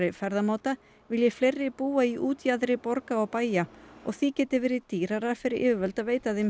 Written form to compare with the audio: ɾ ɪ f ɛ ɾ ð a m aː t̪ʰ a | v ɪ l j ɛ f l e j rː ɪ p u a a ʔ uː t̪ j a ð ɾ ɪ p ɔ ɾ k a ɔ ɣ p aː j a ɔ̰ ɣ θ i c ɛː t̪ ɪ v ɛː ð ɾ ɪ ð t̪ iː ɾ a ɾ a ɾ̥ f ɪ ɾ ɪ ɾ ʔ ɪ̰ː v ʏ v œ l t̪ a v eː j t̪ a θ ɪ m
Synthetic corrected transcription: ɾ ɪ f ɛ ɾ ð a m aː t̪ a | v ɪ l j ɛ f l e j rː ɪ p uː a i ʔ uː t̪ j a ð ɾ ɪ p ɔ ɾ k a ɔ ɣ p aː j a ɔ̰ ɣ θ i c ɛː t̪ ɪ v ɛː ɾ ɪ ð t̪ iː ɾ a ɾ a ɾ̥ f ɪ ɾ ɪ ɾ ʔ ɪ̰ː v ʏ v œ l t̪ a v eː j t̪ a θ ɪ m